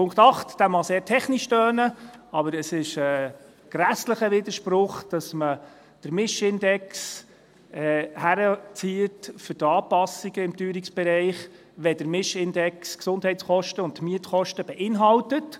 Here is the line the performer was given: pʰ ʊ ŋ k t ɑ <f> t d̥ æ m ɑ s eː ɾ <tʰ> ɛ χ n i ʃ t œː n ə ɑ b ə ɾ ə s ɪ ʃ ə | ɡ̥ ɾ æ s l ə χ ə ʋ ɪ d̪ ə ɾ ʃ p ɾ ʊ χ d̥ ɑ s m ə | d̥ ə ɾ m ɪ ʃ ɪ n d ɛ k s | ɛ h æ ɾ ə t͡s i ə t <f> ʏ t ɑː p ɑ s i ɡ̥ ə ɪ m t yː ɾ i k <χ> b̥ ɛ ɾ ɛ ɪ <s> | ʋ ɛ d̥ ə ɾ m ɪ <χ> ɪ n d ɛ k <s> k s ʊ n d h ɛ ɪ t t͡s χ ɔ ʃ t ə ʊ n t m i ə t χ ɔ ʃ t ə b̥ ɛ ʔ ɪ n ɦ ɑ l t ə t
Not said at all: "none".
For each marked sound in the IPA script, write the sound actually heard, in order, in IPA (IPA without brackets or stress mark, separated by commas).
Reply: χ, tʰ, f, s, χ, ʃ, s